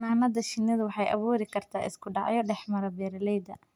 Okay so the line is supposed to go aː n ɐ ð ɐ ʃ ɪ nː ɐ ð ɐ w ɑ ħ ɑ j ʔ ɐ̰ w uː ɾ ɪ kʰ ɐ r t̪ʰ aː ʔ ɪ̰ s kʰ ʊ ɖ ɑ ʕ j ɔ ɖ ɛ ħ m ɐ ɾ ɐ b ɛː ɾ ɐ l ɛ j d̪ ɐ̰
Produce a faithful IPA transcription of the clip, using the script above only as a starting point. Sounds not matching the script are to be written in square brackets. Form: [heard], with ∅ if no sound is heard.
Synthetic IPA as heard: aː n ɐ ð ɐ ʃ ɪ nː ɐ ð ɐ w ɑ ħ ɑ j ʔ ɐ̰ [β] uː ɾ ɪ kʰ ɐ r t̪ʰ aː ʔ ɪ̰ s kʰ ʊ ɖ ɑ ʕ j ɔ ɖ ɛ ħ m ɐ ɾ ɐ b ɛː ɾ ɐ l ɛ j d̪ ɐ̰

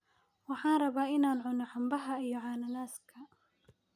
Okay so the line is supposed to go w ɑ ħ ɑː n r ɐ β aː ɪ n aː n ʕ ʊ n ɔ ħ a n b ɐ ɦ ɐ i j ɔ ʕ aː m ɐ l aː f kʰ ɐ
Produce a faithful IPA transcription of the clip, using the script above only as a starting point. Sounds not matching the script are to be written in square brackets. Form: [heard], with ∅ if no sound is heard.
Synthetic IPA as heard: w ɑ ħ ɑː n r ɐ β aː ɪ n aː n ʕ ʊ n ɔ ħ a [m] b ɐ ɦ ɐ i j ɔ ʕ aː [n] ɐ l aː [s] kʰ ɐ

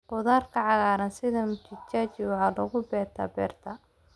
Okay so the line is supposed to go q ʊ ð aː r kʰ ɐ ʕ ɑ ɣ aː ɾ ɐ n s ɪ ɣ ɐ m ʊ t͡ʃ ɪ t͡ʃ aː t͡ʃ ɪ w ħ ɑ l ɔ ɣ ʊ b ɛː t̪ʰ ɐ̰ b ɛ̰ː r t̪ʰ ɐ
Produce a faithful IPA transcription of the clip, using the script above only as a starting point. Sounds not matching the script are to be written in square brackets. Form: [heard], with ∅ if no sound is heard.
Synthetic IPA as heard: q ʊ ð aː r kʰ ɐ ʕ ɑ ɣ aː ɾ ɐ n s ɪ [ð] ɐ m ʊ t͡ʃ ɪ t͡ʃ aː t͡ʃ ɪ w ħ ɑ l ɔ ɣ ʊ b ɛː t̪ʰ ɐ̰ b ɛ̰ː r t̪ʰ ɐ

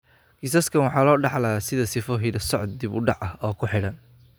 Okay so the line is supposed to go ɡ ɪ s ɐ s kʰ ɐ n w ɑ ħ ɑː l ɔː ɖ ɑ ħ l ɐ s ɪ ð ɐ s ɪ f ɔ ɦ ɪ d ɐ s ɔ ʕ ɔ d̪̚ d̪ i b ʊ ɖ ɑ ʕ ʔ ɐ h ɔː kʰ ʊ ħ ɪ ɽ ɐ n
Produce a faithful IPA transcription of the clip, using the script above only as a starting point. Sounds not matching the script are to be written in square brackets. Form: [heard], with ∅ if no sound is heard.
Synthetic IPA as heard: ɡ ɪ s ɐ s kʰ ɐ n w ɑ ħ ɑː l ɔː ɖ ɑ ħ l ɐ s ɪ ð ɐ s ɪ f ɔ ɦ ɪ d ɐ s ɔ ʕ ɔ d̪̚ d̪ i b ʊ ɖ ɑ ʕ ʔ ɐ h ɔː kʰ ʊ ħ ɪ ɽ ɐ n

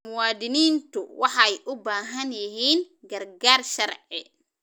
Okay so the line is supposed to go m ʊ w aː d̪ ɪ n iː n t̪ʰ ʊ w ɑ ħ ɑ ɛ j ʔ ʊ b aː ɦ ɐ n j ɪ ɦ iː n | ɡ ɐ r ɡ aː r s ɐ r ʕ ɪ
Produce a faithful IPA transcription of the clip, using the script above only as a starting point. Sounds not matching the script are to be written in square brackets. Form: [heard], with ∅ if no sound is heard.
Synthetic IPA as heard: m ʊ w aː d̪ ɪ n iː n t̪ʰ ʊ w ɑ ħ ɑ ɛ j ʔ ʊ b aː ɦ ɐ n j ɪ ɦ iː n | ɡ ɐ r ɡ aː r [ʃ] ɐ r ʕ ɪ

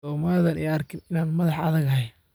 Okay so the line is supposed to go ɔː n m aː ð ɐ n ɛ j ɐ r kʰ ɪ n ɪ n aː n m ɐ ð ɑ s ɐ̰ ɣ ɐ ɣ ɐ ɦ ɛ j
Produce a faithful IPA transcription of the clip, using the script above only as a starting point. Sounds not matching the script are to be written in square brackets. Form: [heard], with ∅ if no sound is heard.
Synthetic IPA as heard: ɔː [∅] m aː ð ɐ n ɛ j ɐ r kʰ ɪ n ɪ n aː n m ɐ ð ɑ [ħ] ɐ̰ [ð] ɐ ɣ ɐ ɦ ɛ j

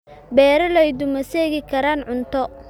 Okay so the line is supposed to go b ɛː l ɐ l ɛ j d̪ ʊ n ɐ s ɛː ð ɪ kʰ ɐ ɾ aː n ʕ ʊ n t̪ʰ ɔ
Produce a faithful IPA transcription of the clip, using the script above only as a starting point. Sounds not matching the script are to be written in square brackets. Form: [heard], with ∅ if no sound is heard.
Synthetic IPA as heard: b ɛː [ɾ] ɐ l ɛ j d̪ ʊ [m] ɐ s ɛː [ɣ] ɪ kʰ ɐ ɾ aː n ʕ ʊ n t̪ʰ ɔ

